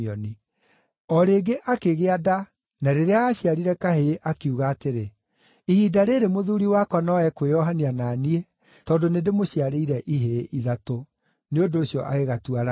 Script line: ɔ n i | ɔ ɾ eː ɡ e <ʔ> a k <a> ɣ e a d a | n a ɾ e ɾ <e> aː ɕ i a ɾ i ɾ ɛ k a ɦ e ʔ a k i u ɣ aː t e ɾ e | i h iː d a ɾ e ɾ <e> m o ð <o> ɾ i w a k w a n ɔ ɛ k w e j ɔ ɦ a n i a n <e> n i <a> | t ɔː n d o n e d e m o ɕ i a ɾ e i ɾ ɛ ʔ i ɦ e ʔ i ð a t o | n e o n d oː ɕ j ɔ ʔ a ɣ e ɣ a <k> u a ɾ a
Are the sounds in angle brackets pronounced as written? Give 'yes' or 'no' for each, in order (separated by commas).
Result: yes, no, yes, yes, no, no, no, no